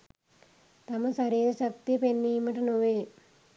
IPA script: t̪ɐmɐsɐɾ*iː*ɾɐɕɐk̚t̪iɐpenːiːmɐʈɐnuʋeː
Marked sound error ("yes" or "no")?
no